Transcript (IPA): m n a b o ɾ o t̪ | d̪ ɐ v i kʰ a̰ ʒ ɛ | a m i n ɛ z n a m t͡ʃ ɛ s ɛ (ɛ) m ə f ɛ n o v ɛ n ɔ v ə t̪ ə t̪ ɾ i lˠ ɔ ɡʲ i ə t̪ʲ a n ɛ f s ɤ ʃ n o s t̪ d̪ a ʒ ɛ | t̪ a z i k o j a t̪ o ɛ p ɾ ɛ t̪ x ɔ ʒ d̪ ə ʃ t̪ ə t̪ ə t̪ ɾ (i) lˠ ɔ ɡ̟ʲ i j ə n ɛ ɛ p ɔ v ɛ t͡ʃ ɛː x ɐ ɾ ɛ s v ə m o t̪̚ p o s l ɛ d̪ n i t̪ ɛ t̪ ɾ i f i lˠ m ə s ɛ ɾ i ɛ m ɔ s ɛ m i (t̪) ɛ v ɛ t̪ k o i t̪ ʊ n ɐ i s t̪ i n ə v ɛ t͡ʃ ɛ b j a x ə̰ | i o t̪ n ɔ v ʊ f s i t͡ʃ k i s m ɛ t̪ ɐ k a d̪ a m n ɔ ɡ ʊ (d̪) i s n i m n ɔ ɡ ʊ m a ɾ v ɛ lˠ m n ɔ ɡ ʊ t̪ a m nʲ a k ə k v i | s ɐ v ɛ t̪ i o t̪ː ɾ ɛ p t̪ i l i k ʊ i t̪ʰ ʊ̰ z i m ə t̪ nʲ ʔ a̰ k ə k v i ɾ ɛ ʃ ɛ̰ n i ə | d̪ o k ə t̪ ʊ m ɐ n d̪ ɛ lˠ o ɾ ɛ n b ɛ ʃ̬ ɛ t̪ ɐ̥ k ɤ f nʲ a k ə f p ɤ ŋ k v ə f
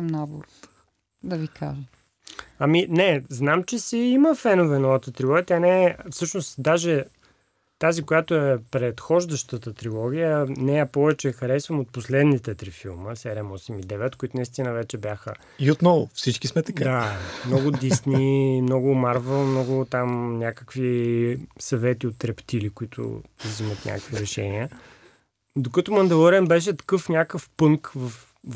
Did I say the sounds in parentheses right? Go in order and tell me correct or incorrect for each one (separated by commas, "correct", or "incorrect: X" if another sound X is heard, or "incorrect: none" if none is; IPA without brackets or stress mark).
incorrect: i, correct, incorrect: d̪, correct